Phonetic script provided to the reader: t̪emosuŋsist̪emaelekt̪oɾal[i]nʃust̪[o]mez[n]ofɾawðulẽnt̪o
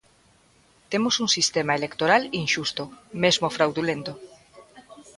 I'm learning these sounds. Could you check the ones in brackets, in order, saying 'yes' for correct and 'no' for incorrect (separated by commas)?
yes, yes, no